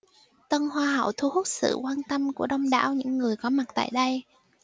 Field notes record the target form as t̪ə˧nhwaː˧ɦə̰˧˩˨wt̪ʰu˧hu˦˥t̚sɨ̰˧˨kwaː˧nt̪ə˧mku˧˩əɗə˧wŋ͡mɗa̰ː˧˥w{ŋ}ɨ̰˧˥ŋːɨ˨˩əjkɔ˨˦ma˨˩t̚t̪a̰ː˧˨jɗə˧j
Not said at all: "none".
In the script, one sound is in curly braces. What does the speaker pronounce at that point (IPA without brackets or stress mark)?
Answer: ɲ